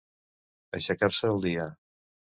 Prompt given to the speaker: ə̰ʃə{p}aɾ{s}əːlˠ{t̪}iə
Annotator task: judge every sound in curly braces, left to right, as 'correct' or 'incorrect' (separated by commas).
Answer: incorrect, correct, incorrect